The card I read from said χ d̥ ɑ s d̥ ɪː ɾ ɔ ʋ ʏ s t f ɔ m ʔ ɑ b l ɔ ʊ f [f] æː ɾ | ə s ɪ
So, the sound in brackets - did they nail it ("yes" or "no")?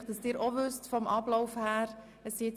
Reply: no